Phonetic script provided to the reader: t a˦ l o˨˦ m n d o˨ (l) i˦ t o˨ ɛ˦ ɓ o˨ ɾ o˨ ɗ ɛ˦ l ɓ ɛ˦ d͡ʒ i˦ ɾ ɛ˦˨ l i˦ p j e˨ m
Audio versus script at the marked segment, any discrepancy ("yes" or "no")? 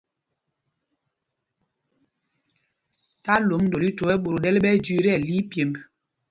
no